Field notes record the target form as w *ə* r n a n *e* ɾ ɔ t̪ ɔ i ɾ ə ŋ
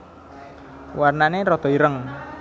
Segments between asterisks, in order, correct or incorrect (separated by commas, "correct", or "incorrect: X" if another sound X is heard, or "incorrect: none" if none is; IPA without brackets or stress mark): incorrect: a, correct